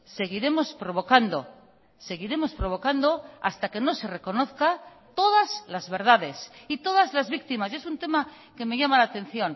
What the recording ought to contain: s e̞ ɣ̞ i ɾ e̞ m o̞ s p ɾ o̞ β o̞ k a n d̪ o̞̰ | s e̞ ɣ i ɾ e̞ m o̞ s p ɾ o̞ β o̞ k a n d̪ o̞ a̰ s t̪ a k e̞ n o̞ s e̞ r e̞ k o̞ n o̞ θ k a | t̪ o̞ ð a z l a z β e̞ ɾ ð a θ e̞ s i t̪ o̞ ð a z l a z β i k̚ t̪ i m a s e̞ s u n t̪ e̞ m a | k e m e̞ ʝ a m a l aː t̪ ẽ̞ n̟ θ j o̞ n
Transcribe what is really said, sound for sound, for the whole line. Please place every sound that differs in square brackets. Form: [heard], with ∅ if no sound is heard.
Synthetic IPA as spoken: s e̞ ɣ̞ i ɾ e̞ m o̞ s p ɾ o̞ β o̞ k a n d̪ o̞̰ | s e̞ ɣ i ɾ e̞ m o̞ s p ɾ o̞ β o̞ k a n d̪ o̞ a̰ s t̪ a k e̞ n o̞ s e̞ r e̞ k o̞ n o̞ θ k a | t̪ o̞ ð a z l a z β e̞ ɾ ð a [ð] e̞ s i t̪ o̞ ð a z l a z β i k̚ t̪ i m a s e̞ s u n t̪ e̞ m a | k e m e̞ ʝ a m a l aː t̪ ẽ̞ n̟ θ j o̞ n